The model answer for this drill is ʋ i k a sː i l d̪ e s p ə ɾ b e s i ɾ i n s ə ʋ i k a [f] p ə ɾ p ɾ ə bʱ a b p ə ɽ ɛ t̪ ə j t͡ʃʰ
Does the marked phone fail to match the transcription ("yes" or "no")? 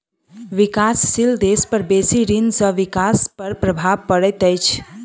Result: yes